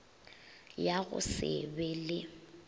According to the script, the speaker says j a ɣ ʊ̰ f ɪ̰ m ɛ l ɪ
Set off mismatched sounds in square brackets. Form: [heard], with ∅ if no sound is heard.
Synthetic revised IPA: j a ɣ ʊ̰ [s] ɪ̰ [b] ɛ l ɪ